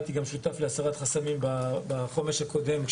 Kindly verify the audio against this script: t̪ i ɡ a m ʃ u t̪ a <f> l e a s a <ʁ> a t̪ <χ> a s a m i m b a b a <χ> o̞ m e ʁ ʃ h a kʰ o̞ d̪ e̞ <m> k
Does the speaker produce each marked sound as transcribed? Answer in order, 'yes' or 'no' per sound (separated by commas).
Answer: yes, yes, yes, yes, yes